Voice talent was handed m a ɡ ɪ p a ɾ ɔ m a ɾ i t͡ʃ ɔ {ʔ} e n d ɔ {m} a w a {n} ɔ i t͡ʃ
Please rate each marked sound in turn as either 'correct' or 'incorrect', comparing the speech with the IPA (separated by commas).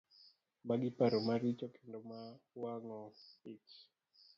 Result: incorrect, correct, incorrect